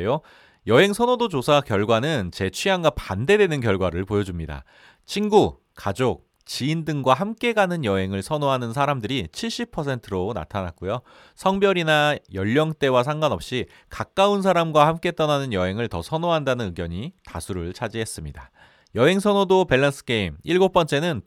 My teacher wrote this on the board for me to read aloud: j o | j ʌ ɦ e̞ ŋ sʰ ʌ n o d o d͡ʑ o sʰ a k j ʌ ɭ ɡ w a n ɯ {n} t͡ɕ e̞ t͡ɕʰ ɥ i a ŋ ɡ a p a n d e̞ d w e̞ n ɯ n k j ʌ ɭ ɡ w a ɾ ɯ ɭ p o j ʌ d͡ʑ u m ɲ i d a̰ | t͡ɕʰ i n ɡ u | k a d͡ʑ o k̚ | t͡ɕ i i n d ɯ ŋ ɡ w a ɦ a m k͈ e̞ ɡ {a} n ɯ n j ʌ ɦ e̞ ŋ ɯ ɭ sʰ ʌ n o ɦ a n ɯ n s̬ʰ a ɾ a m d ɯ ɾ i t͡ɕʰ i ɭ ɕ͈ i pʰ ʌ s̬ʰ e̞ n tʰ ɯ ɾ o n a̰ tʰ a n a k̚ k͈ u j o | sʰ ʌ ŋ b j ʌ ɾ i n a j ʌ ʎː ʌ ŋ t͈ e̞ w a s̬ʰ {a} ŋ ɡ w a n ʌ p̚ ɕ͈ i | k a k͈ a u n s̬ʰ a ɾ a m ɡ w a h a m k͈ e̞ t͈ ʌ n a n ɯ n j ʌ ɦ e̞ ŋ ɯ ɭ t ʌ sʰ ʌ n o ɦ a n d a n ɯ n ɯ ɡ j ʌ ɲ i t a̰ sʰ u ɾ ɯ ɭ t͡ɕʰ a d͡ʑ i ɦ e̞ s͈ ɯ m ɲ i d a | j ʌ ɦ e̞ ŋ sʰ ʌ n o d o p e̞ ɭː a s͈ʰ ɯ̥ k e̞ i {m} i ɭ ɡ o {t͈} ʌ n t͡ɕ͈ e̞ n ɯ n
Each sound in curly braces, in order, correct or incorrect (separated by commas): correct, correct, correct, correct, incorrect